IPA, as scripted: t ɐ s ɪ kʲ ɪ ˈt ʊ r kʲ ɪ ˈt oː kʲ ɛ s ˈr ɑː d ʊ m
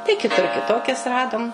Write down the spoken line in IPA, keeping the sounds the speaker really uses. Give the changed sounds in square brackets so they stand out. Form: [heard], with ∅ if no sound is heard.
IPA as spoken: t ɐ [∅] ɪ kʲ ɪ ˈt ʊ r kʲ ɪ ˈt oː kʲ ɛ s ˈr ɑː d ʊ m